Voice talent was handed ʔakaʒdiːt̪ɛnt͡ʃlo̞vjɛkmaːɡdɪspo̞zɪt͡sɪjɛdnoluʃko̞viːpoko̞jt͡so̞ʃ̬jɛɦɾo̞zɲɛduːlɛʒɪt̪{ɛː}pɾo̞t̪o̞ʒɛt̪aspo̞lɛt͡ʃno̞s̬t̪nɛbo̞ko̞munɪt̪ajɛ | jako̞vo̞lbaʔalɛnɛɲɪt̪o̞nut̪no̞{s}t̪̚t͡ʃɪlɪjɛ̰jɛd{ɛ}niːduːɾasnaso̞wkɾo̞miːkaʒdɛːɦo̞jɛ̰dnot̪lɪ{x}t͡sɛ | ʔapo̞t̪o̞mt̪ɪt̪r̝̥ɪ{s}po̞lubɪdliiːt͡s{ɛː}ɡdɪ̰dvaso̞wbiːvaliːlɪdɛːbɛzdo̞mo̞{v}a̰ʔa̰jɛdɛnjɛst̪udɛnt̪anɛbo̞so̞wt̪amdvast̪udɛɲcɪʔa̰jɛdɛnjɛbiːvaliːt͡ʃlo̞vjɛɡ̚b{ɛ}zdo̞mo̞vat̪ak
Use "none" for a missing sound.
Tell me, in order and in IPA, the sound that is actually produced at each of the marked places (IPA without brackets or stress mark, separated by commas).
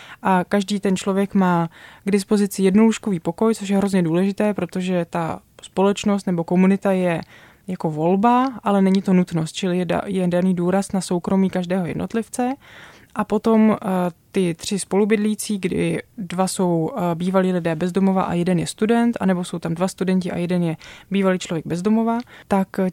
ɛː, s, a, f, s, iː, v, ɛ